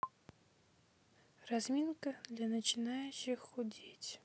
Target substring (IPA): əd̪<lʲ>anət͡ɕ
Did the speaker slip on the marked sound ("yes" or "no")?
no